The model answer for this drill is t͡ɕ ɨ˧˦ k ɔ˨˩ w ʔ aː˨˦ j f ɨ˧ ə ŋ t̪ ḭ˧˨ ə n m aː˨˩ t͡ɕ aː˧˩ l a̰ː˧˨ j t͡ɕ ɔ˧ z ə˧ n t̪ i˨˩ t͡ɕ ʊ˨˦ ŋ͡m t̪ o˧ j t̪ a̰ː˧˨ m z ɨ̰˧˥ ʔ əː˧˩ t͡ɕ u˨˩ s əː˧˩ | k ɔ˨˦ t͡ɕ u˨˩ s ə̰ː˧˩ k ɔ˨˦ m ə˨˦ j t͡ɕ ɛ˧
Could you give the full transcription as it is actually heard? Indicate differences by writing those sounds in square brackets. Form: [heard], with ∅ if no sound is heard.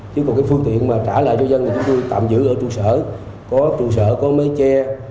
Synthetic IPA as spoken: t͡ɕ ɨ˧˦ k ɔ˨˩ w [k] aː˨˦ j f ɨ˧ ə ŋ t̪ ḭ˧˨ ə n m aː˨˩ t͡ɕ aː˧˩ l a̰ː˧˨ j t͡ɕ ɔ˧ z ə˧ n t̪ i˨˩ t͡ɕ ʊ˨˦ ŋ͡m t̪ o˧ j t̪ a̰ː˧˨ m z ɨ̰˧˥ ʔ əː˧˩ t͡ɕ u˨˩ s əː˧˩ | k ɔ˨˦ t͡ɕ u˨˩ s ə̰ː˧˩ k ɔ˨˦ m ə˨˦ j t͡ɕ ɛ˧

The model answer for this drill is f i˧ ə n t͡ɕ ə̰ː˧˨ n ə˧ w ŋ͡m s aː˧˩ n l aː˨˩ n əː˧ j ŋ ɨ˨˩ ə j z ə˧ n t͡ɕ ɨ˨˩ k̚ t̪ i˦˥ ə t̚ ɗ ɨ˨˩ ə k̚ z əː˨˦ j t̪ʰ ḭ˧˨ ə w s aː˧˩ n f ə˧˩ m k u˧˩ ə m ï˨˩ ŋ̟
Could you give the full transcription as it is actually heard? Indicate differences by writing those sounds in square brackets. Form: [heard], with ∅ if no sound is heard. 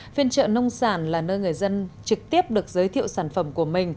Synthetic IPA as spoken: f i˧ ə n t͡ɕ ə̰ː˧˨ n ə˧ w ŋ͡m s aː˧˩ n l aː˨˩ n əː˧ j ŋ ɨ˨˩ ə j z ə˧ n t͡ɕ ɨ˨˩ k̚ t̪ i˦˥ ə [p̚] ɗ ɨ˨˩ ə k̚ z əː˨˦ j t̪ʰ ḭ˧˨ ə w s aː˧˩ n f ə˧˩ m k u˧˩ ə m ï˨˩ ŋ̟

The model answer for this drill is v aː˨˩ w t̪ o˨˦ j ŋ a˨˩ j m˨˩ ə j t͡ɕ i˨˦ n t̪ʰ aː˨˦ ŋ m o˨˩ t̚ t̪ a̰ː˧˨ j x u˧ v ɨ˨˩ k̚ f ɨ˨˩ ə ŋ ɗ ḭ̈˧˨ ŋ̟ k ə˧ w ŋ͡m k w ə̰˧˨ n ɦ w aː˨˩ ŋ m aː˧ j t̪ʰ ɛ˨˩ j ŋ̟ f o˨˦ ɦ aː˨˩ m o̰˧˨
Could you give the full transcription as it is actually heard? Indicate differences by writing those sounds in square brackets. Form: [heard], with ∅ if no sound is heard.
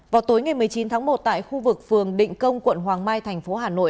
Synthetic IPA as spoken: v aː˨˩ w t̪ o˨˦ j ŋ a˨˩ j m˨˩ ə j t͡ɕ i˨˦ n t̪ʰ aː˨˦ ŋ m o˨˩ t̚ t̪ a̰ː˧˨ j x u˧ v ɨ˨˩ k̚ f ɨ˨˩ ə ŋ ɗ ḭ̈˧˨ ŋ̟ k ə˧ w ŋ͡m k w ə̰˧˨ n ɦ w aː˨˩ ŋ m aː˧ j t̪ʰ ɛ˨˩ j ŋ̟ f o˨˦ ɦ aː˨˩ [n] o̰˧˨

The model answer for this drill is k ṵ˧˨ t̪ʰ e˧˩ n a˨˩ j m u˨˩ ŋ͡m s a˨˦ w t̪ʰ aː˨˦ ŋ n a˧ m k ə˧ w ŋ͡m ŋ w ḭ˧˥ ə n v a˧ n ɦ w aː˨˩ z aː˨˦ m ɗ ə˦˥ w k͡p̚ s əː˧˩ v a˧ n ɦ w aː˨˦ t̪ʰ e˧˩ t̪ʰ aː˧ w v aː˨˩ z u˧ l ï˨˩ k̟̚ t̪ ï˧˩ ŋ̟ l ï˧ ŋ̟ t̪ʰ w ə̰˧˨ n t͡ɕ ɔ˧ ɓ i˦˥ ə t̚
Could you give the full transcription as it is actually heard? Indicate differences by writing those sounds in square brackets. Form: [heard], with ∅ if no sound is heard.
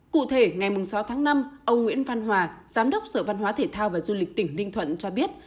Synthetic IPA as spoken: k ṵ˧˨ t̪ʰ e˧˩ [ŋ] a˨˩ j m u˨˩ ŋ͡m s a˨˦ w t̪ʰ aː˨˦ ŋ n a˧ m [ʔ] ə˧ w ŋ͡m ŋ w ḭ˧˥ ə n v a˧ n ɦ w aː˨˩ z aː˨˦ m ɗ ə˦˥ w k͡p̚ s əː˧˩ v a˧ n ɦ w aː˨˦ t̪ʰ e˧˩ t̪ʰ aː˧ w v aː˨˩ z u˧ l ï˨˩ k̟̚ t̪ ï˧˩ ŋ̟ l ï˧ ŋ̟ t̪ʰ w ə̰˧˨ n t͡ɕ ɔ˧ ɓ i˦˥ ə t̚

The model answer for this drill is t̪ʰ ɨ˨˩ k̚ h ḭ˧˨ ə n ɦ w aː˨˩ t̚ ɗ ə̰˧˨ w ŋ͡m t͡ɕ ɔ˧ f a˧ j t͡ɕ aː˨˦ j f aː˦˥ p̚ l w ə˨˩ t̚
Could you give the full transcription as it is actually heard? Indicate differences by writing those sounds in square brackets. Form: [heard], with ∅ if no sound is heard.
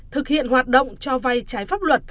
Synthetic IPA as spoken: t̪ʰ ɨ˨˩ k̚ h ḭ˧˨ ə n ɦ w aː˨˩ t̚ ɗ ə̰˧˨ w ŋ͡m t͡ɕ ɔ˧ [v] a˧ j t͡ɕ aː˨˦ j f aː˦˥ p̚ l w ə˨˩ t̚

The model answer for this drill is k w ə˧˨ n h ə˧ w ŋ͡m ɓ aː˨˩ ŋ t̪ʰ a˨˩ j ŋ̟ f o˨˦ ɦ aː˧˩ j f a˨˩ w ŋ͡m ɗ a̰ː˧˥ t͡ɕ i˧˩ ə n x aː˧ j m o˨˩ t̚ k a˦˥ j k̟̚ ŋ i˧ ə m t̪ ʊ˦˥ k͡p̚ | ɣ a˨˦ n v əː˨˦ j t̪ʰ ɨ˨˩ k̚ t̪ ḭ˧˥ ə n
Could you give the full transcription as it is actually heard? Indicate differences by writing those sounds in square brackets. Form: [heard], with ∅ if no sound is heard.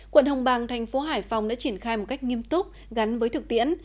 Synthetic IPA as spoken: k w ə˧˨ n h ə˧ w ŋ͡m ɓ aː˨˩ ŋ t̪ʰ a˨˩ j ŋ̟ f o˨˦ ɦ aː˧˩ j f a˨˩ w ŋ͡m ɗ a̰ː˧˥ t͡ɕ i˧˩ ə n x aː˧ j m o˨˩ t̚ k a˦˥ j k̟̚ ŋ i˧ ə m t̪ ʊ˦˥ k͡p̚ | ɣ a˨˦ n v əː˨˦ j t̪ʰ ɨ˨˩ k̚ t̪ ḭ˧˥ ə n

